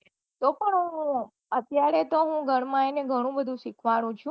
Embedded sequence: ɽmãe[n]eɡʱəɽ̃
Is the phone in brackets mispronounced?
no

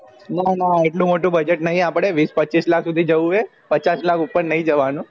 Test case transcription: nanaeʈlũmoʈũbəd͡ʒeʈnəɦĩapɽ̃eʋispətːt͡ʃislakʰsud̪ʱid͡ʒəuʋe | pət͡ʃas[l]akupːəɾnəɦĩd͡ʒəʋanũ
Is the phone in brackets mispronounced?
no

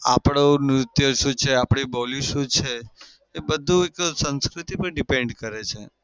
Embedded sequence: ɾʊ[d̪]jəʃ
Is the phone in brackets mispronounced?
yes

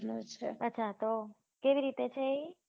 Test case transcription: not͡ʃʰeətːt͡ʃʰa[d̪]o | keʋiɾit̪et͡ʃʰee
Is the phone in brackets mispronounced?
yes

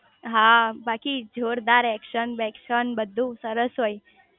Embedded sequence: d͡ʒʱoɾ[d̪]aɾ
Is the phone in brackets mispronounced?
no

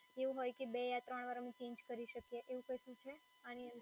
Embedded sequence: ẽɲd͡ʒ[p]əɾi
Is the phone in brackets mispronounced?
yes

